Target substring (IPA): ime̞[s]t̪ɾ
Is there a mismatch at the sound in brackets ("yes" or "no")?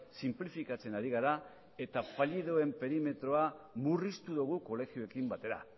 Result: yes